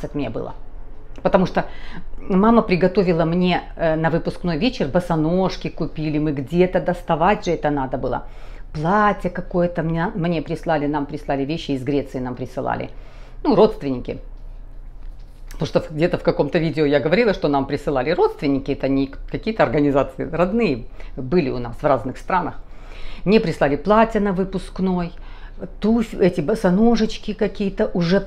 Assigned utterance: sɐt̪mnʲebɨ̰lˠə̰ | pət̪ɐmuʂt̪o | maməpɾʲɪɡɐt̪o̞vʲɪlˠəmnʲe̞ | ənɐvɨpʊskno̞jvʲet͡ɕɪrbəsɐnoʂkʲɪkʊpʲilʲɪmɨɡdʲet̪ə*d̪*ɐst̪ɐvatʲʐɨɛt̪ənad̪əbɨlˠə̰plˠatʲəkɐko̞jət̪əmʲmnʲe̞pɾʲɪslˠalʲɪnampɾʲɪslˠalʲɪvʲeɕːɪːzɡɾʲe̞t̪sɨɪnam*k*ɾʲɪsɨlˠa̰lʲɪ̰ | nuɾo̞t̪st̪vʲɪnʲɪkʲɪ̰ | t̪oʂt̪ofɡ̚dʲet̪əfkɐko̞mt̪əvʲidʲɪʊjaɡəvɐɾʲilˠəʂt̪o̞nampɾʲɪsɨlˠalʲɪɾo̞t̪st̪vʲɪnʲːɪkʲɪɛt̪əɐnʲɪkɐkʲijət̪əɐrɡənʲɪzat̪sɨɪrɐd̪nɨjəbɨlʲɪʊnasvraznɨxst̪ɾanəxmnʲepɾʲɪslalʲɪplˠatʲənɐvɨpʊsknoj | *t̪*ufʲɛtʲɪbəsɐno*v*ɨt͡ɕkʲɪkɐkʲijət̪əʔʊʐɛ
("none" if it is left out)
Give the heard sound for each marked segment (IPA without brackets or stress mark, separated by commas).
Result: d̪, p, t̪, ʐ